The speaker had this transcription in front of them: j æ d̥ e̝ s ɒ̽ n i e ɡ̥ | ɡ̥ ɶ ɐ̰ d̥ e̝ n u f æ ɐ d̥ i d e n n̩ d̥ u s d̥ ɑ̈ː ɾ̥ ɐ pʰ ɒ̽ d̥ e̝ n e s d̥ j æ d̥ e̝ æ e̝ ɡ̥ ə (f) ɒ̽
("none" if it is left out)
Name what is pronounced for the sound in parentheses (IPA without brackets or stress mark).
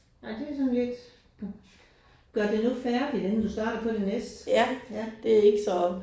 s